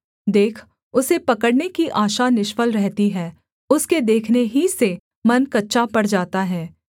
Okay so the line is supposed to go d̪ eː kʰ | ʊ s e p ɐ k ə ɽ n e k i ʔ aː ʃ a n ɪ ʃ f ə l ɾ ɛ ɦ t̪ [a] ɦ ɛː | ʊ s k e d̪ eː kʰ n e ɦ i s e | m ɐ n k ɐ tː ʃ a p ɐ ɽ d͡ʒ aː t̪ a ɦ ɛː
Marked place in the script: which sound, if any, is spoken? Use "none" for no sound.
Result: i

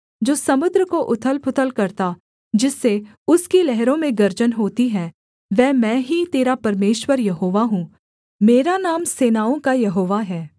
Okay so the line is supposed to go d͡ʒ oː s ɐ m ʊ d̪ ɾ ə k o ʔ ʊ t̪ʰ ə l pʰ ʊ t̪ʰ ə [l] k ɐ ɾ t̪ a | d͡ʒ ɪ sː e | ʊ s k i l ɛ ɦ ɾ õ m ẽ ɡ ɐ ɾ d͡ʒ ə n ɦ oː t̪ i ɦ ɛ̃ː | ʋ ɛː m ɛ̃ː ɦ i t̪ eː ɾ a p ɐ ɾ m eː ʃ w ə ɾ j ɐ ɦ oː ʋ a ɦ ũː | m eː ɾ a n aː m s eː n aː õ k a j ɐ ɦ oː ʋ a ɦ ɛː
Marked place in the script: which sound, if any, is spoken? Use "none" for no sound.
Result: l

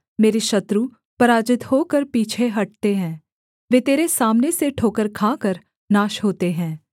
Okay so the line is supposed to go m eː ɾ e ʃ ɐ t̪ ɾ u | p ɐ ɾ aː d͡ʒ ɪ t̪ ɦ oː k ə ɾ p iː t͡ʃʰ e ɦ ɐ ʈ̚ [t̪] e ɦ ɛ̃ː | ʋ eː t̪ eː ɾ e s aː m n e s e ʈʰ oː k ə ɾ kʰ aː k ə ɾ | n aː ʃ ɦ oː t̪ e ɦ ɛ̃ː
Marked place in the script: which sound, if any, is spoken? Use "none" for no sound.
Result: t̪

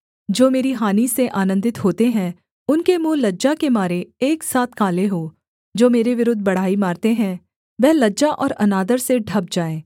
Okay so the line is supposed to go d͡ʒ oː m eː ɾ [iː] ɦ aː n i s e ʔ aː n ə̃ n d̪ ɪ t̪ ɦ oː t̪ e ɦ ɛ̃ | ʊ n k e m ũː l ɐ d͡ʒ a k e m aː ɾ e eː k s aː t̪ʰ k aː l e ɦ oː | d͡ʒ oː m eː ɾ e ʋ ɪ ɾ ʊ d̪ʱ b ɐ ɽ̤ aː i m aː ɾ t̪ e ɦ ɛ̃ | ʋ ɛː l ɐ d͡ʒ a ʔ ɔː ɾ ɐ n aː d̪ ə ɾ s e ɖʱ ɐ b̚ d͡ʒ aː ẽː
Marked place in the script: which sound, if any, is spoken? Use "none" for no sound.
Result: i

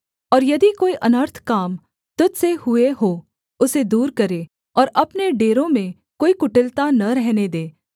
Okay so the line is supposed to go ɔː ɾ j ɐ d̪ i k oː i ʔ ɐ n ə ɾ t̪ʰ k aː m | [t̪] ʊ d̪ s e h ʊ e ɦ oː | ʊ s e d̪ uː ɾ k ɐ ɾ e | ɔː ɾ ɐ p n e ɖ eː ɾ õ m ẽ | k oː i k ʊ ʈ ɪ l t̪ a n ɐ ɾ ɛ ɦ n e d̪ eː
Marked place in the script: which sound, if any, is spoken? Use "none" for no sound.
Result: t̪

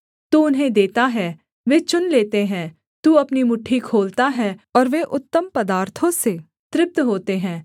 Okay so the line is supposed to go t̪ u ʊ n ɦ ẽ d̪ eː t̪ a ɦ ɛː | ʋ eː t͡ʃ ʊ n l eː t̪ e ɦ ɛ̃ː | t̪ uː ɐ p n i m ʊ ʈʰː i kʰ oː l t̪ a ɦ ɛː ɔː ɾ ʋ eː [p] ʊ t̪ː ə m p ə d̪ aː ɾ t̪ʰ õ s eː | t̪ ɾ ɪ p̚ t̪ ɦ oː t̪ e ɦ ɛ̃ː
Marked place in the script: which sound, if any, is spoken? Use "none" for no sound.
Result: ʔ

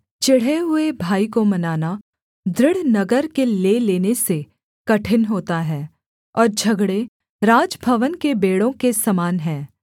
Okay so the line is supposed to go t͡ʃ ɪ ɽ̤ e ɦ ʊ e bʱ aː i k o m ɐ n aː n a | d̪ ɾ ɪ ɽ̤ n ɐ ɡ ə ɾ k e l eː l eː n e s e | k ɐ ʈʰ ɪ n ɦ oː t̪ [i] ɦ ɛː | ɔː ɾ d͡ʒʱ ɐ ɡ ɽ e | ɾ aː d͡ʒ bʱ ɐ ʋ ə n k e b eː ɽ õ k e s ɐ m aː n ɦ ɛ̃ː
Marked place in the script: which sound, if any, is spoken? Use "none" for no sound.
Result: a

